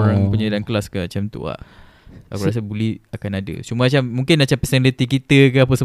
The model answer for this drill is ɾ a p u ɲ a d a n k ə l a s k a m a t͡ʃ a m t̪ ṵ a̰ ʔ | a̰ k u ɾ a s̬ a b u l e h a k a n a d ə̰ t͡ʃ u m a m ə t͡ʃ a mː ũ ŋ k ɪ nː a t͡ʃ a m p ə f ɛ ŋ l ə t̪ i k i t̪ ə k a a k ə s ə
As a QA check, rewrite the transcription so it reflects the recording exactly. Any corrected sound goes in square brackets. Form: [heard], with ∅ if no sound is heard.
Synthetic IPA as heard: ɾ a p u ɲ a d a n k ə l a s k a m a t͡ʃ a m t̪ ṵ a̰ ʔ | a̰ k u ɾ a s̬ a b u l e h a k a n a d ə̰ t͡ʃ u m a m [a] t͡ʃ a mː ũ ŋ k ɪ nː a t͡ʃ a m p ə [s] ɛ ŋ l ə t̪ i k i t̪ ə k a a [p] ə s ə